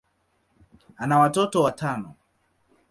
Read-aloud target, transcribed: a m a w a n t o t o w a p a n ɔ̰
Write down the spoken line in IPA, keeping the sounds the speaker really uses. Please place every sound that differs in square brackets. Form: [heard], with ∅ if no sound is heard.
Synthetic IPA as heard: a [n] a w a [∅] t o t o w a [t] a n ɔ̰

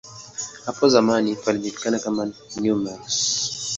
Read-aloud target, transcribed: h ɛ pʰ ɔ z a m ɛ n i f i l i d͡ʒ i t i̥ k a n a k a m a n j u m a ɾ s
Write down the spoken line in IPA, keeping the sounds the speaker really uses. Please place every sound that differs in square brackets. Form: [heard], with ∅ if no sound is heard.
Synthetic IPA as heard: h [a] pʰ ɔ z a m [a] n i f [a] l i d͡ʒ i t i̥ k a n a k a m a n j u m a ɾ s

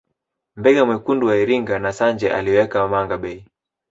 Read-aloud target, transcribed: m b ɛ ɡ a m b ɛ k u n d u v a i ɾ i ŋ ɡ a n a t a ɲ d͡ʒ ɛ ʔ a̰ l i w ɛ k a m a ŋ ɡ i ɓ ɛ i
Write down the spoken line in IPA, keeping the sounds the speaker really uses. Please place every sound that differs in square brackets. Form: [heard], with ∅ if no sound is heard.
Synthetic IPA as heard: m b ɛ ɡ a m [w] ɛ k u n d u [w] a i ɾ i ŋ ɡ a n a [s] a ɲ d͡ʒ ɛ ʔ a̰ l i w ɛ k a m a ŋ ɡ [a] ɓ ɛ i

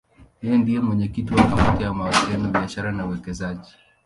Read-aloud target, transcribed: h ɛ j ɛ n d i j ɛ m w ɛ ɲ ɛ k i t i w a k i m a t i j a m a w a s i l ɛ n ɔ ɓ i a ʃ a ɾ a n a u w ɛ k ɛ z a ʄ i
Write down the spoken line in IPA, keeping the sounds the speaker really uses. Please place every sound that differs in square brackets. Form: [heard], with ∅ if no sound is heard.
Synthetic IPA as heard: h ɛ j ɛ n d i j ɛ m w ɛ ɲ ɛ k i t i w a k [a] m a t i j a m a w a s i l ɛ n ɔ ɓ i a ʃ a ɾ a n a u w ɛ k ɛ z a ʄ i

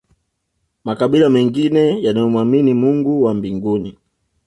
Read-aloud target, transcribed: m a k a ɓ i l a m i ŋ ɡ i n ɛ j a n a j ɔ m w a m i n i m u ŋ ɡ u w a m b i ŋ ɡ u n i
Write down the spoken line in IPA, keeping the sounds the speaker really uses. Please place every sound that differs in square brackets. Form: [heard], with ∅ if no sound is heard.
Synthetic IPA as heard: m a k a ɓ i l a m [ɛ] ŋ ɡ i n ɛ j a n a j ɔ m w a m i n i m u ŋ ɡ u w a m b i ŋ ɡ u n i

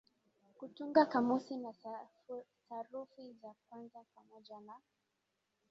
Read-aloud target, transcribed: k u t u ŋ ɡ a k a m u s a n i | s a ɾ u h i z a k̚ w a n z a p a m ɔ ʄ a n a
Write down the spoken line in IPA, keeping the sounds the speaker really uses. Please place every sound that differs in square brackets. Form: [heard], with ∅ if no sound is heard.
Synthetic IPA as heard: k u t u ŋ ɡ a k a m u s [i] n [a] | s a ɾ u [f] i z a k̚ w a n z a p a m ɔ ʄ a n a

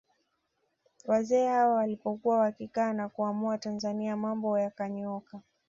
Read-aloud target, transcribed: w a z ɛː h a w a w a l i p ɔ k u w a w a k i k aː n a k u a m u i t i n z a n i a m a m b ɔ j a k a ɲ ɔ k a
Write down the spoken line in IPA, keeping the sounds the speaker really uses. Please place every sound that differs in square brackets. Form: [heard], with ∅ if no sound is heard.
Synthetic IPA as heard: w a z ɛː h a w a w a l i p ɔ k u w a w a k i k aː n a k u a m u [a] t [a] n z a n i a m a m b ɔ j a k a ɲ ɔ k a

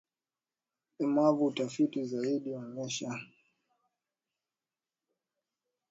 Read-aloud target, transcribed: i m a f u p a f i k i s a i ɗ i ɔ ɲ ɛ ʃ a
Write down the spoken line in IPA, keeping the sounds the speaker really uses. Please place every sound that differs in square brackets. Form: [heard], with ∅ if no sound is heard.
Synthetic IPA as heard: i m a [v] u [t] a f i [t] i [z] a i ɗ i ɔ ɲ ɛ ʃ a

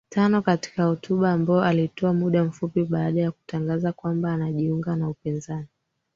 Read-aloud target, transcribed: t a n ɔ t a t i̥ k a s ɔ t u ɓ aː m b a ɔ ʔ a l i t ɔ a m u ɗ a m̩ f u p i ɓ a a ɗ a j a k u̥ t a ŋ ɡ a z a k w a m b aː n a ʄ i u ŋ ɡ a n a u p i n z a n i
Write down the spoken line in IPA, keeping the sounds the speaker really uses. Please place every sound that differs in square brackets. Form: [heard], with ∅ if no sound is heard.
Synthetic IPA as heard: t a n ɔ [k] a t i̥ k a [h] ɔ t u ɓ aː m b a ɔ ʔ a l i t ɔ a m u ɗ a m̩ f u p i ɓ a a ɗ a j a k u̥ t a ŋ ɡ a z a k w a m b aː n a ʄ i u ŋ ɡ a n a u p i n z a n i

